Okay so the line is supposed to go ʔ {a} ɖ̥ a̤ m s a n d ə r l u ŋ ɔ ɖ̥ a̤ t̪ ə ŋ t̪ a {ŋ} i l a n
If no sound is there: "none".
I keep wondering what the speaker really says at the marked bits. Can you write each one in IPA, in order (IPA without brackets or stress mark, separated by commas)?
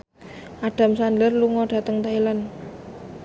a, none